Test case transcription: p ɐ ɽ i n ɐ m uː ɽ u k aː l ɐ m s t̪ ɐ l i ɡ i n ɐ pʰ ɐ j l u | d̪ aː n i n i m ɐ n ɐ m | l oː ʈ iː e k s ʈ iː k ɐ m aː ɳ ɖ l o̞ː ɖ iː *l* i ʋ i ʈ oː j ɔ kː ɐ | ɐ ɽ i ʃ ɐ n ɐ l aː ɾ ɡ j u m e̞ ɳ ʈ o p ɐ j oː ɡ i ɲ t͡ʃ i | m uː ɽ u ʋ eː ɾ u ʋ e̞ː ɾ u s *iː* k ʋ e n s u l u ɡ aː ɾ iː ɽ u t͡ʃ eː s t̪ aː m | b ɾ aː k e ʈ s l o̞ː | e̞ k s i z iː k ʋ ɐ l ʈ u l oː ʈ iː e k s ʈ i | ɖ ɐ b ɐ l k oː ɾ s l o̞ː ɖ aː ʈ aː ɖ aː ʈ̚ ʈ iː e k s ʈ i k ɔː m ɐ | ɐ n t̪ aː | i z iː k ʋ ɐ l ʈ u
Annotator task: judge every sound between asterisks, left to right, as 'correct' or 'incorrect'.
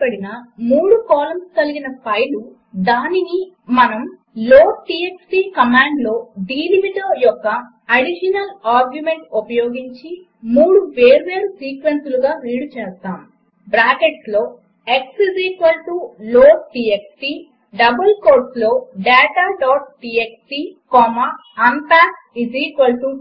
correct, correct

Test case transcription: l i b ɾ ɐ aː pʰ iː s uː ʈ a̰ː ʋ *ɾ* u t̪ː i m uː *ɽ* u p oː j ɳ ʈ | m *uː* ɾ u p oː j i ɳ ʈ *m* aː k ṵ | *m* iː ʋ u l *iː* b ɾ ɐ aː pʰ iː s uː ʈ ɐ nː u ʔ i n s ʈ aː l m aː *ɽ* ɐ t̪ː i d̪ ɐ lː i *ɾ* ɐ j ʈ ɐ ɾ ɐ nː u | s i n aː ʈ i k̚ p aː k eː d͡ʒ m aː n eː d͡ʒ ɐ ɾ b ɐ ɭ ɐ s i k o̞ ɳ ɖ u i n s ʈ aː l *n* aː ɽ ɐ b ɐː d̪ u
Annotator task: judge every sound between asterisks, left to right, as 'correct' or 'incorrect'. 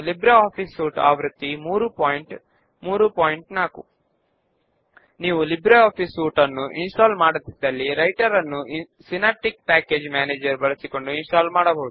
correct, incorrect, correct, incorrect, incorrect, incorrect, correct, correct, incorrect

